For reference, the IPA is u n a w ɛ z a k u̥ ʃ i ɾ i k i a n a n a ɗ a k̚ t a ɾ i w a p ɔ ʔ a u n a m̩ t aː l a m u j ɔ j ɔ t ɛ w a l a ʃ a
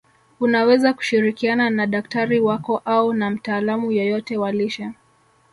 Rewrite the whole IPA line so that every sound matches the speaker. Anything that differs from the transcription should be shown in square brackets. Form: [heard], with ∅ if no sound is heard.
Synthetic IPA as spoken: u n a w ɛ z a k u̥ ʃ i ɾ i k i a n a n a ɗ a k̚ t a ɾ i w a [k] ɔ ʔ a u n a m̩ t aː l a m u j ɔ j ɔ t ɛ w a l [i] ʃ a